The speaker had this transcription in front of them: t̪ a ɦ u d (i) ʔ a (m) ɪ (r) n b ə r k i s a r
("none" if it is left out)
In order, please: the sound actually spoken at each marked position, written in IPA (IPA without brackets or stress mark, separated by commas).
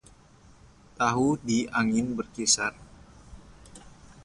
i, ŋ, none